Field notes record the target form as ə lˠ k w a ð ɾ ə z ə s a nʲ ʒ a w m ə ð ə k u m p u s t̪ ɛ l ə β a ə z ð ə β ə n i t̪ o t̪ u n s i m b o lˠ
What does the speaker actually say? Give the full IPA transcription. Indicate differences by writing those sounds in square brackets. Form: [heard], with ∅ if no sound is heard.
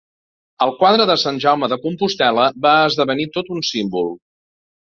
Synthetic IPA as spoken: ə lˠ k w a ð ɾ ə [ð] ə s a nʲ ʒ a w m ə ð ə k u m p u s t̪ ɛ l ə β a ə z ð ə β ə n i t̪ o t̪ u n s i m b [u] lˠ